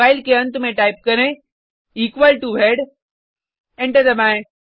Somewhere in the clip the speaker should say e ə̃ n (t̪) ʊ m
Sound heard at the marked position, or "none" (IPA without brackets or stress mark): t̪